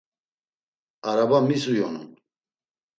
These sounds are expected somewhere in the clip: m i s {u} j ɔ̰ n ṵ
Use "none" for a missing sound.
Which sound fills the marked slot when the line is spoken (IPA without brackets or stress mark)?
u